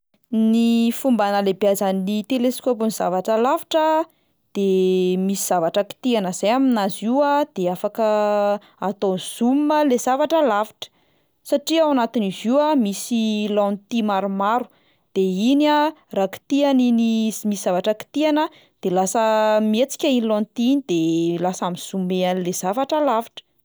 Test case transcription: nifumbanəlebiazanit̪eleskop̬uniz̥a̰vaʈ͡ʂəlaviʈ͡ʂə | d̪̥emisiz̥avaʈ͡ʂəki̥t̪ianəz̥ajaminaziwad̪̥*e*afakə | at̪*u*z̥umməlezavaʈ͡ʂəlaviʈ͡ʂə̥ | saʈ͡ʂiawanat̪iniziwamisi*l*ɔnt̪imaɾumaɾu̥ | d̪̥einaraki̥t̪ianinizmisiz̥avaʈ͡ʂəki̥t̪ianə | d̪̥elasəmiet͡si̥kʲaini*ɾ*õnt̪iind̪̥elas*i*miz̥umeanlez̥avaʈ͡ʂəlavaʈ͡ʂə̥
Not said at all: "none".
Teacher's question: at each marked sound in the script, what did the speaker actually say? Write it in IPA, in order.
e, o, l, l, a

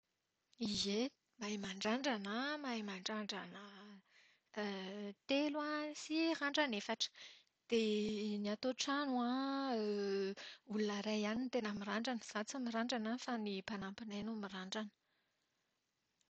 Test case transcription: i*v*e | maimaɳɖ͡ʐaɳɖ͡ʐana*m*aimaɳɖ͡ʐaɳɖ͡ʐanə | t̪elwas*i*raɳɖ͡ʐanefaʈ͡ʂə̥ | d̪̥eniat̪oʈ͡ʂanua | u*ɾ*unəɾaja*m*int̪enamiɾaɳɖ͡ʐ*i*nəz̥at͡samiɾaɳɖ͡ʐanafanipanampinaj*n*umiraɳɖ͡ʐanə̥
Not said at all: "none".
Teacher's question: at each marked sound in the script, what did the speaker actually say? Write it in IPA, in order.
z, m, i, l, n, a, n

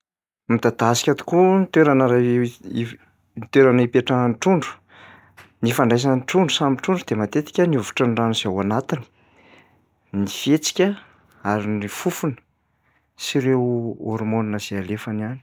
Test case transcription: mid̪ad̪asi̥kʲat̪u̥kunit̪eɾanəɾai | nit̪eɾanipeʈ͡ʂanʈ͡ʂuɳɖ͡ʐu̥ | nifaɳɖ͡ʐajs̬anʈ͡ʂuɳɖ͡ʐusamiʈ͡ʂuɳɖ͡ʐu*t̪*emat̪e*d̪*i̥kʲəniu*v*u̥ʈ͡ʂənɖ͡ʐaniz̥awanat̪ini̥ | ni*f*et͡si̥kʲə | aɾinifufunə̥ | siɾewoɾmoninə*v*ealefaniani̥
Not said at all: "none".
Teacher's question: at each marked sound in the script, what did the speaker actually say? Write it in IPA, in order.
d̪, t̪, v, f, z

